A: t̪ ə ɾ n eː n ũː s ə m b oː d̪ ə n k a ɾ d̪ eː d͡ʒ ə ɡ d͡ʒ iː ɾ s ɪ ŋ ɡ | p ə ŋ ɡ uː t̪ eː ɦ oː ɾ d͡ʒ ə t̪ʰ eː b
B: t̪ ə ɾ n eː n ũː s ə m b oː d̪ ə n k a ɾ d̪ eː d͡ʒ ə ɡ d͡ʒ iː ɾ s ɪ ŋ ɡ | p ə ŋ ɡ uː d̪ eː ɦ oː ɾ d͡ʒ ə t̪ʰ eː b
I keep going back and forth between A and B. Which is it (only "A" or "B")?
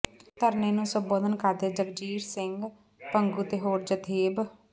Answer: A